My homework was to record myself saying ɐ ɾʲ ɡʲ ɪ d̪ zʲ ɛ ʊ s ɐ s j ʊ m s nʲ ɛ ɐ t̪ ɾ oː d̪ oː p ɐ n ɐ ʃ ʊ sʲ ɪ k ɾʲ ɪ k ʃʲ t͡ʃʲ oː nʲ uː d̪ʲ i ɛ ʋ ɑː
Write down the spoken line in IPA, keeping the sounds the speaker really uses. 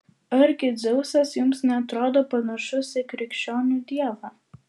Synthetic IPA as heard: ɐ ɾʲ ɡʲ ɪ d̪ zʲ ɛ ʊ s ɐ s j ʊ m s nʲ ɛ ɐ t̪ ɾ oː d̪ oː p ɐ n ɐ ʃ ʊ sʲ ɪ k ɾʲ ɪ k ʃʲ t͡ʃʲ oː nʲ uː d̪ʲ i ɛ ʋ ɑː